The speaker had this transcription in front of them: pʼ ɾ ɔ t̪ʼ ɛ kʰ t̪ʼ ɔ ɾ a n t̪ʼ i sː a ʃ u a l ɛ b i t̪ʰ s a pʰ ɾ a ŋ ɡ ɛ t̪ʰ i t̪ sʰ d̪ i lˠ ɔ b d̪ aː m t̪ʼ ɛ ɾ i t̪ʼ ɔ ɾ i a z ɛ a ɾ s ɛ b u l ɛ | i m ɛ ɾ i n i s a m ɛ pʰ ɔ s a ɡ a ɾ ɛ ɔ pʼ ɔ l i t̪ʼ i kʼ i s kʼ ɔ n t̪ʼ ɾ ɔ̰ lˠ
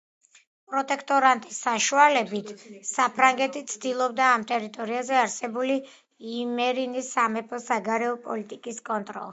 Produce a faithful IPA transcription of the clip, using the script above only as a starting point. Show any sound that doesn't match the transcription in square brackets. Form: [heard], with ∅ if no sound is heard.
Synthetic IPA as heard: pʼ ɾ ɔ t̪ʼ ɛ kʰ t̪ʼ ɔ ɾ a n t̪ʼ i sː a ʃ u a l ɛ b i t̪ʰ s a pʰ ɾ a ŋ ɡ ɛ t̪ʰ i t̪ sʰ d̪ i lˠ ɔ b d̪ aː m t̪ʼ ɛ ɾ i t̪ʼ ɔ ɾ i a z ɛ a ɾ s ɛ b u l [i] | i m ɛ ɾ i n i s a m ɛ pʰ ɔ s a ɡ a ɾ ɛ ɔ pʼ ɔ l i t̪ʼ i kʼ i s kʼ ɔ n t̪ʼ ɾ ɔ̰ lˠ